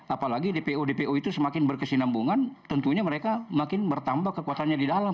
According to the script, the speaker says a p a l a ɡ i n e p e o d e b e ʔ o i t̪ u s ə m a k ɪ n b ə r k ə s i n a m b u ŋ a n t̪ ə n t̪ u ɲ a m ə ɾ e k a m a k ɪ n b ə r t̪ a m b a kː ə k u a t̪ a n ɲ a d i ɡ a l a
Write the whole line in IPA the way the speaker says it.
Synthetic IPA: a p a l a ɡ i d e p e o d e p e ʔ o i t̪ u s ə m a k ɪ n b ə r k ə s i n a m b u ŋ a n t̪ ə n t̪ u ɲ a m ə ɾ e k a m a k ɪ n b ə r t̪ a m b a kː ə k u a t̪ a n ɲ a d i d a l a